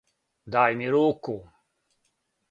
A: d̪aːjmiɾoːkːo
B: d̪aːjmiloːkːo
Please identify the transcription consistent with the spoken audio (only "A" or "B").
A